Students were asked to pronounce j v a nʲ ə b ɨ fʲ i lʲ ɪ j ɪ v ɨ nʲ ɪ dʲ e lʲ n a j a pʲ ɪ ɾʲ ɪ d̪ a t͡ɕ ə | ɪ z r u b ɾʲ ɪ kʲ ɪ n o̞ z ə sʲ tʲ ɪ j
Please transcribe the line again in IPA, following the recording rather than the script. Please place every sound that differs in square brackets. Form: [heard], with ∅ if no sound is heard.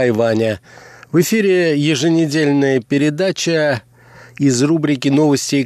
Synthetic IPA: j v a nʲ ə [v] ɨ fʲ i [ɾʲ] ɪ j ɪ [ʐ] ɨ nʲ ɪ dʲ e lʲ n [ə] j [ə] pʲ ɪ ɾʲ ɪ d̪ a t͡ɕ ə | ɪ z r u b ɾʲ ɪ kʲ ɪ n o̞ [v] ə sʲ tʲ ɪ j